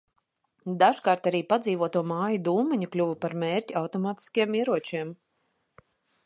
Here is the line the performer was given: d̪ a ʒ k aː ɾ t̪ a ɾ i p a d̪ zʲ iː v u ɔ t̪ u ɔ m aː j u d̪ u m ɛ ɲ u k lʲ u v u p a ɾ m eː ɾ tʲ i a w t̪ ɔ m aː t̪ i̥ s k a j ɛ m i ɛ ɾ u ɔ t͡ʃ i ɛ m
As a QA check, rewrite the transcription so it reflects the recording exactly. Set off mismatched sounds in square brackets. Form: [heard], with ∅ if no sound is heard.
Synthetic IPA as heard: d̪ a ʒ k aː ɾ t̪ a ɾ [iː] p a d̪ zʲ iː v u ɔ t̪ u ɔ m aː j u d̪ [uː] m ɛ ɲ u k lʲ u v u p a ɾ m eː ɾ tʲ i a w t̪ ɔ m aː t̪ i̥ s k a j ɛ m i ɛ ɾ u ɔ t͡ʃ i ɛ m

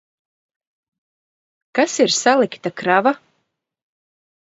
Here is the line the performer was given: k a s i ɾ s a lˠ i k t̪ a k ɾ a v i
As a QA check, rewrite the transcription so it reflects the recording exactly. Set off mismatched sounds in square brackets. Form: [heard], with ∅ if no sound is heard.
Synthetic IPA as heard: k a s i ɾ s a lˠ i k t̪ a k ɾ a v [a]

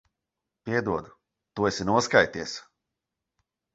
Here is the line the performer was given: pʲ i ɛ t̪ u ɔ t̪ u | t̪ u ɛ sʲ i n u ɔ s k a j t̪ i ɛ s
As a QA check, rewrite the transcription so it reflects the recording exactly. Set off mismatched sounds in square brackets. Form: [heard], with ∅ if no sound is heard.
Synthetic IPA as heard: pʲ i ɛ [d̪] u ɔ [d̪] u | t̪ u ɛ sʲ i n u ɔ s k a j t̪ i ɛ s

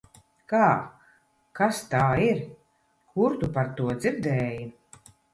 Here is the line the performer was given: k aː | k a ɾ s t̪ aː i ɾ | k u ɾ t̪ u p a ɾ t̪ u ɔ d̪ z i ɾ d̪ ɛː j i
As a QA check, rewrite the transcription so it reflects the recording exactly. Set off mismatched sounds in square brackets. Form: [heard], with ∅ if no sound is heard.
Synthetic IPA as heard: k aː | k a [∅] s t̪ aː i ɾ | k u ɾ t̪ u p a ɾ t̪ u ɔ d̪ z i ɾ d̪ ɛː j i

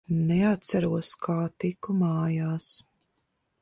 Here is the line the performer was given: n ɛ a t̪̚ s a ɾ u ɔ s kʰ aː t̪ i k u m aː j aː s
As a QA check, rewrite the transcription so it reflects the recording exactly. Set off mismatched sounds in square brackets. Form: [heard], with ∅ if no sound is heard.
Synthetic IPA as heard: n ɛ a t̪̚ s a ɾ u ɔ s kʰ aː t̪ i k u m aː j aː s

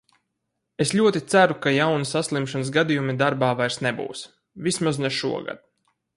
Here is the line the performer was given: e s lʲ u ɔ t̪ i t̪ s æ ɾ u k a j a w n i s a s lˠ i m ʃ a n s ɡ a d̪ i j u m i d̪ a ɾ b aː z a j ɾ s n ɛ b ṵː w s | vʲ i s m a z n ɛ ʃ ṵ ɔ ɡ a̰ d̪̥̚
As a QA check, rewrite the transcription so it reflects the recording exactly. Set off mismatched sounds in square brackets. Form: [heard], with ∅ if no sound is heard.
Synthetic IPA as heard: e s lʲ u ɔ t̪ i t̪ s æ ɾ u k a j a w n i s a s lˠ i m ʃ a n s ɡ a d̪ i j u m i d̪ a ɾ b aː [v] a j ɾ s n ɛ b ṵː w s | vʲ i s m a z n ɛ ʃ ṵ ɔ ɡ a̰ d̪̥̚

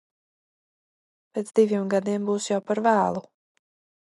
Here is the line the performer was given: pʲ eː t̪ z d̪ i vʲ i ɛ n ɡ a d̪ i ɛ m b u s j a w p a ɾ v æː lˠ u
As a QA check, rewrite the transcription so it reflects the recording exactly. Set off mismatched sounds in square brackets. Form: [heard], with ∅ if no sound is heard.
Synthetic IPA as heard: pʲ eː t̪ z d̪ i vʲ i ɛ [m] ɡ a d̪ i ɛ m b [uː] s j a w p a ɾ v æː lˠ u

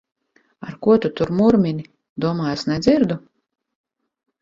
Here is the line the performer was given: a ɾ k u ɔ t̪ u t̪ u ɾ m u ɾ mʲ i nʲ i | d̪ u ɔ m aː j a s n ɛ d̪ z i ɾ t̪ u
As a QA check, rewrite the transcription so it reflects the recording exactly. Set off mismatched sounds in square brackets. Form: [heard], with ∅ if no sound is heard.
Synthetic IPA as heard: a ɾ k u ɔ t̪ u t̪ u ɾ m u ɾ mʲ i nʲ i | d̪ u ɔ m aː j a s n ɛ d̪ z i ɾ [d̪] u

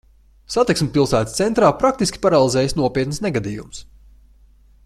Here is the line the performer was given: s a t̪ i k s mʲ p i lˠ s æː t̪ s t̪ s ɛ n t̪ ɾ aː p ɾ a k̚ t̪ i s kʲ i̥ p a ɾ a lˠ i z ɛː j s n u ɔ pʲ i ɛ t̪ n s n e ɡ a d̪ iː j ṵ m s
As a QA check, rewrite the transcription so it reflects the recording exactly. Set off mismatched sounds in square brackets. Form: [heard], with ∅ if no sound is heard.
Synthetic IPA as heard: s a t̪ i k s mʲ p i lˠ s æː t̪ s t̪ s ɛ n t̪ ɾ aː p ɾ a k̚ t̪ i s kʲ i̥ p a ɾ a lˠ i z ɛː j s n u ɔ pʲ i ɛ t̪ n s n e ɡ a d̪ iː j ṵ m s

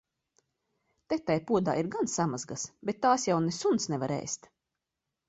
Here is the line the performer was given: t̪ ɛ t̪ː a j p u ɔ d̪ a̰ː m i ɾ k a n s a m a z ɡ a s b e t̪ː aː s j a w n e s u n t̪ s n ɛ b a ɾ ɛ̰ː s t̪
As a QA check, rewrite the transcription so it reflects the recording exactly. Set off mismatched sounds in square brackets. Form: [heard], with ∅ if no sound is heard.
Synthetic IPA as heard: t̪ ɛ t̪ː a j p u ɔ d̪ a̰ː [∅] i ɾ [ɡ] a n s a m a z ɡ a s b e t̪ː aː s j a w n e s u n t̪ s n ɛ [v] a ɾ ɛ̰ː s t̪

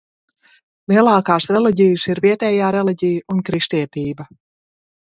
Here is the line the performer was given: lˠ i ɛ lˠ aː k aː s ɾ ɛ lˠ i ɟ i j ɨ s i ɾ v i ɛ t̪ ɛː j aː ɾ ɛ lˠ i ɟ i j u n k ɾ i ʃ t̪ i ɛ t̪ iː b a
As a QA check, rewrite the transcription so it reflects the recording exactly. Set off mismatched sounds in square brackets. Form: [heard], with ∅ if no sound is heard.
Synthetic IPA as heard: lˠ i ɛ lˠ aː k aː s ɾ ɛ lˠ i ɟ i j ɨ s i ɾ v i ɛ t̪ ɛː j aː ɾ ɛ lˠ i ɟ i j u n k ɾ i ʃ t̪ i ɛ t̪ iː b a

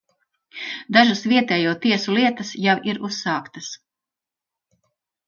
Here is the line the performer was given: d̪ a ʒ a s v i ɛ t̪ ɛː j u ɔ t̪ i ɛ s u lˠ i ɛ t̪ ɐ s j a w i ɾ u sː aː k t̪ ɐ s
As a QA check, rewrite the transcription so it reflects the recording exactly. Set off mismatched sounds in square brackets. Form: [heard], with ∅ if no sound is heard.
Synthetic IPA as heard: d̪ a ʒ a s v i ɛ t̪ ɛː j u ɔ t̪ i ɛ s u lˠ i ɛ t̪ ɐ s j a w i ɾ u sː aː k t̪ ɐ s

